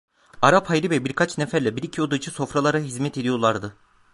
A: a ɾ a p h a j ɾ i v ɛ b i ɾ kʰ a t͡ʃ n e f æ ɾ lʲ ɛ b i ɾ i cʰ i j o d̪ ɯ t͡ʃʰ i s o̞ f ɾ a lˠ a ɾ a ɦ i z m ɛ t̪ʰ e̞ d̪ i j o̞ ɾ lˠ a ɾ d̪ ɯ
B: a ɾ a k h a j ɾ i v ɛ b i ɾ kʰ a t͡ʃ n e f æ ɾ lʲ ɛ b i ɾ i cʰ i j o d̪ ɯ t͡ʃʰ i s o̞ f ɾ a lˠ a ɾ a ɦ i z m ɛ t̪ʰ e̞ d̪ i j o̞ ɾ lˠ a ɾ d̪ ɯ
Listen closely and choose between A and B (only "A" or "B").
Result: A